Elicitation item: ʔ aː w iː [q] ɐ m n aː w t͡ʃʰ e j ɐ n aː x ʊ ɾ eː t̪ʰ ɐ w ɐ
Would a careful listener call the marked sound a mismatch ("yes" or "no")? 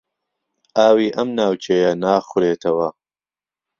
yes